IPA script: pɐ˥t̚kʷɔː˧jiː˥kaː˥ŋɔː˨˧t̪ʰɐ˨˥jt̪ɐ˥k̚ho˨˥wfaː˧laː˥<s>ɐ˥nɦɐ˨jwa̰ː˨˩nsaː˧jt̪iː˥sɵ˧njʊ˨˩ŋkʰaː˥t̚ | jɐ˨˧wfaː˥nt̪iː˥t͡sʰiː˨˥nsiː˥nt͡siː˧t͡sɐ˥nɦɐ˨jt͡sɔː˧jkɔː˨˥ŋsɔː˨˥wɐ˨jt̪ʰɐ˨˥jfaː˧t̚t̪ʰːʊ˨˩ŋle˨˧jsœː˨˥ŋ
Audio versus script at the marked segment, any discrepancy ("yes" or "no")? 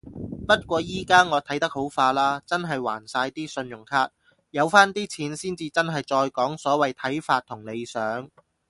yes